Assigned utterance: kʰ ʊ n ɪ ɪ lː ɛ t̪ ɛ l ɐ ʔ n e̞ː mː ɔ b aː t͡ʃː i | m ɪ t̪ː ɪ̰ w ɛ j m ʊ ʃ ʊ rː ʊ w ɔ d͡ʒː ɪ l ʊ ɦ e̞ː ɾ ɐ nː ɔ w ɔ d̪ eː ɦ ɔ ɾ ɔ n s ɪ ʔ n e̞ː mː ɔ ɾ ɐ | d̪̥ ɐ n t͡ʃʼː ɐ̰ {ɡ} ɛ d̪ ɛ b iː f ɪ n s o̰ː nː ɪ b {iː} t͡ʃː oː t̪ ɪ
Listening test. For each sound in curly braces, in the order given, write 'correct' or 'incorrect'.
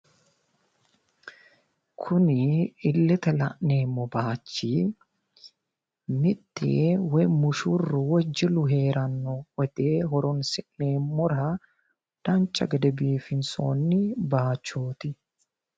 correct, incorrect: aː

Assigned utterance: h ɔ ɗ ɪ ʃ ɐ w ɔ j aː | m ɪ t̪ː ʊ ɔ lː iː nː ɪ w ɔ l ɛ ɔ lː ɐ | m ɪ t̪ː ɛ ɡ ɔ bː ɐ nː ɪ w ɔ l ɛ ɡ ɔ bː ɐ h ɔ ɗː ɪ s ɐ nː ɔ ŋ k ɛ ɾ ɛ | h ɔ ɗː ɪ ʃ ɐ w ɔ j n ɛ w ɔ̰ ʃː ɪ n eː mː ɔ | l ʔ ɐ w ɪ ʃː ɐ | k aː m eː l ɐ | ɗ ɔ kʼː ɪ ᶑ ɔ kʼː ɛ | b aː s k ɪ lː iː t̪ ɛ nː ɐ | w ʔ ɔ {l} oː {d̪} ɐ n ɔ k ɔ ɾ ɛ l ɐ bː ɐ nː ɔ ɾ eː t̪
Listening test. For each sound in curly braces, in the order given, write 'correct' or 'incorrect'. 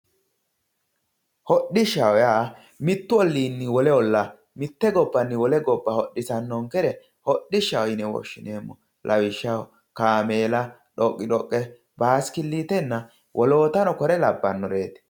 correct, incorrect: t̪

